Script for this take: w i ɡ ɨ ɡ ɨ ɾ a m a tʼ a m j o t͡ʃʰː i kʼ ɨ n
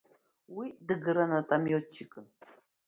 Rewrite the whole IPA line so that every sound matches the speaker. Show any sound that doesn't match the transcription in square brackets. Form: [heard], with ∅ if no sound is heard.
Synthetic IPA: w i [d] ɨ ɡ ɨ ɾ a [n] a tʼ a m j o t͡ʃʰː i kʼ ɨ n